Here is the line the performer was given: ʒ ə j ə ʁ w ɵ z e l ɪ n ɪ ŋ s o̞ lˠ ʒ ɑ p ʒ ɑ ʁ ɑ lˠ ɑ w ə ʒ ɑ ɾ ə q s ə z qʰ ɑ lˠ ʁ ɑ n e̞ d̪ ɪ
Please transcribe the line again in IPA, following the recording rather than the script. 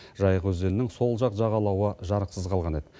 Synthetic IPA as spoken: ʒ ɑ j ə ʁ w ɵ z e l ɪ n ɪ ŋ s o̞ lˠ ʒ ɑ q ʒ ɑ ʁ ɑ lˠ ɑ w ə ʒ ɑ ɾ ə q s ə z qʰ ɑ lˠ ʁ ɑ n e̞ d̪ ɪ